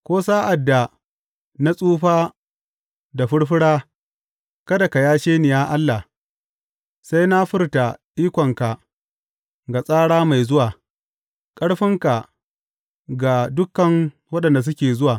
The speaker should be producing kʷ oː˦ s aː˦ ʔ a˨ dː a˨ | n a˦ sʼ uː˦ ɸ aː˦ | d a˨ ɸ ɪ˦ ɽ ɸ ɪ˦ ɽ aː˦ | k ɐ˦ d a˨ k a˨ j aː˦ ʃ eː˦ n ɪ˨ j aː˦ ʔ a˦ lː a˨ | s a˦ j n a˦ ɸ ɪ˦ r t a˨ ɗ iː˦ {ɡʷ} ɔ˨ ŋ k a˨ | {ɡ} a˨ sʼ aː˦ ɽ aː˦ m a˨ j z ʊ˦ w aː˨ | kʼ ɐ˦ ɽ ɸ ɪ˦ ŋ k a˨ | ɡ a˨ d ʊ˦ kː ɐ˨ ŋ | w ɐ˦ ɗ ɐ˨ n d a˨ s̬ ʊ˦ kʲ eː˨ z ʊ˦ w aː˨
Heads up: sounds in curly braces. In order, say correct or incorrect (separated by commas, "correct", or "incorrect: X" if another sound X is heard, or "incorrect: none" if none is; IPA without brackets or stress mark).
incorrect: kʷ, correct